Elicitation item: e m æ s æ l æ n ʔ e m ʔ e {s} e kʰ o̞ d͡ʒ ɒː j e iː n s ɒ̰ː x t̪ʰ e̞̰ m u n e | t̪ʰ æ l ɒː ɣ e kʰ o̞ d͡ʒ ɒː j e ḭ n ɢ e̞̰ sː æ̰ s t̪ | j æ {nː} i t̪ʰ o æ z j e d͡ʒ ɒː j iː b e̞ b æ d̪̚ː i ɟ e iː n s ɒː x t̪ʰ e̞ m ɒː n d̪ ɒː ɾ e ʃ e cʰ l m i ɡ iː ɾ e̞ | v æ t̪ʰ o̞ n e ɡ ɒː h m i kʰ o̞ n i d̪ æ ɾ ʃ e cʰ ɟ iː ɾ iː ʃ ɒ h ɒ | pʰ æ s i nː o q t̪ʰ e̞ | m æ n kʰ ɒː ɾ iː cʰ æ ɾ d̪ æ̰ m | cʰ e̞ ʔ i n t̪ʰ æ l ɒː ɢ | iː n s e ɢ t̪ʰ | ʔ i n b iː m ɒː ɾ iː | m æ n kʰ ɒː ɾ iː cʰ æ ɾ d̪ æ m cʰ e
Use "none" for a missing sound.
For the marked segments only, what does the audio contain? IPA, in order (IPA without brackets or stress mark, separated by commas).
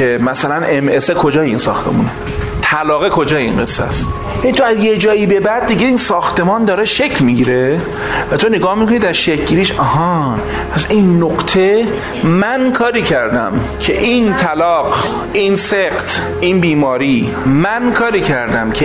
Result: s, n